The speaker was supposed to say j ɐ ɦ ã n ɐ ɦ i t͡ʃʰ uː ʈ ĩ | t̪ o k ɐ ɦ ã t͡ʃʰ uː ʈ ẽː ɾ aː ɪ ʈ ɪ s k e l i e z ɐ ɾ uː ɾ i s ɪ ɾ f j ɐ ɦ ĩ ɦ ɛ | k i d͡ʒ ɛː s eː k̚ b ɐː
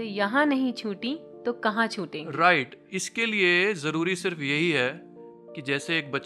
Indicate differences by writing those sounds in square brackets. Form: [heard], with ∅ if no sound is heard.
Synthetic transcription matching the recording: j ɐ ɦ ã n ɐ ɦ [ĩ] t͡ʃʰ uː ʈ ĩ | t̪ o k ɐ ɦ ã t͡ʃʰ uː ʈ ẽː ɾ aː ɪ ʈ ɪ s k e l i e z ɐ ɾ uː ɾ i s ɪ ɾ f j ɐ ɦ [i] ɦ ɛ | k i d͡ʒ ɛː s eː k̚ b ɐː